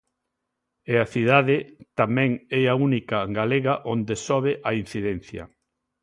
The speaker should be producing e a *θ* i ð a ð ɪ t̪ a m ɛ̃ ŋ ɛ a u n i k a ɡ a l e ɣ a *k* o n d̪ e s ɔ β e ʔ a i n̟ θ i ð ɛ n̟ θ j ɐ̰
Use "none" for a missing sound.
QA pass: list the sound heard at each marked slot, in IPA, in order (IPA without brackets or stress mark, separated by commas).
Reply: θ, ʔ